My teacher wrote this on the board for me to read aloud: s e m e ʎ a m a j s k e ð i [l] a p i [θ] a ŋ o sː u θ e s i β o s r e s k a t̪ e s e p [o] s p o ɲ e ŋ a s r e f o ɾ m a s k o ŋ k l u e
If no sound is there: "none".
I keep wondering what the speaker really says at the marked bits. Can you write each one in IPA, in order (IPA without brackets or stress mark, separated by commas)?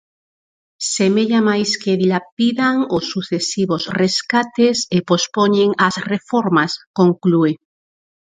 l, ð, o